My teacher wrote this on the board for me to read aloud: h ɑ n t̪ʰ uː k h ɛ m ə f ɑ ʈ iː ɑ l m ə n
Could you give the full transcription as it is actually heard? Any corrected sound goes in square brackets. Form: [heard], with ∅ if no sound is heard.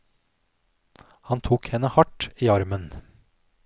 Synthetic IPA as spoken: h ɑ n t̪ʰ uː k h ɛ [n] ə [h] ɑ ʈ iː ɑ [ɾ] m ə n